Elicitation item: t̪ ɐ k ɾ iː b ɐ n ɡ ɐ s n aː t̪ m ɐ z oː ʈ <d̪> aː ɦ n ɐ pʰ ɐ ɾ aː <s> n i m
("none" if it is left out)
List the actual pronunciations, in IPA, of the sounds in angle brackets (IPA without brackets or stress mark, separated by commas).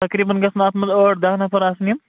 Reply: d̪, s